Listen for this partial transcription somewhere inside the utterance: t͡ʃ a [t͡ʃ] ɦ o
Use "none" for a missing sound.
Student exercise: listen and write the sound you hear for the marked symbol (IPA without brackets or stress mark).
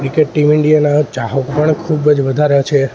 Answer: none